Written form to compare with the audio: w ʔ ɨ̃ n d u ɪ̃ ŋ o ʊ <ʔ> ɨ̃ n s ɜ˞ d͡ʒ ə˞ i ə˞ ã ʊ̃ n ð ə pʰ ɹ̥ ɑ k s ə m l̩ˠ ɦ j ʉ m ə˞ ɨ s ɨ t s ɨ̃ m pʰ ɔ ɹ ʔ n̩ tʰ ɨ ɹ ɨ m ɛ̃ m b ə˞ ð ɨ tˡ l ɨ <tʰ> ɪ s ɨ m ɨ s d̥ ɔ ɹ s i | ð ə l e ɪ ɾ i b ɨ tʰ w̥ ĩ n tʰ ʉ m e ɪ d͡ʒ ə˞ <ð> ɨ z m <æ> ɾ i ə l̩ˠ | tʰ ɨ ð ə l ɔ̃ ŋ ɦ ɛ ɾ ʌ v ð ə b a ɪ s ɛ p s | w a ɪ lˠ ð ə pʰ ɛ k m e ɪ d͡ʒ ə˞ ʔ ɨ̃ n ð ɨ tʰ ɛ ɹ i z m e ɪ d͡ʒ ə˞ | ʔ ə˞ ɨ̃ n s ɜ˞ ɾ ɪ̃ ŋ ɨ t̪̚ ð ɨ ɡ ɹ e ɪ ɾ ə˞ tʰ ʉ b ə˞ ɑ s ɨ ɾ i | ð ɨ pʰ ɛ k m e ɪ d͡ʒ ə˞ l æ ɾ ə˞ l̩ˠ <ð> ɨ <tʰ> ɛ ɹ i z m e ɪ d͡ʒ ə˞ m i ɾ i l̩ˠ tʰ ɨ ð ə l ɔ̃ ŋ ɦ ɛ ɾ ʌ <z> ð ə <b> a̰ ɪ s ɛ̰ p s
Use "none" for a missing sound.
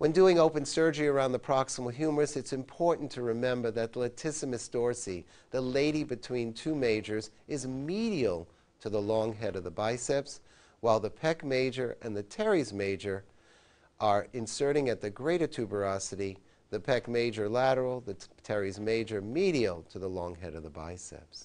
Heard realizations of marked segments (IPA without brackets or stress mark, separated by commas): p, tʰ, z, i, ð, tʰ, v, b